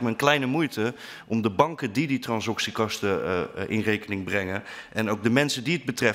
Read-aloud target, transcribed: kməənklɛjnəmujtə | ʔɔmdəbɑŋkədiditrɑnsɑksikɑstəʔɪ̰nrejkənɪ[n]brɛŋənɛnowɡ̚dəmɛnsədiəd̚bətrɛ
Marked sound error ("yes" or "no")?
yes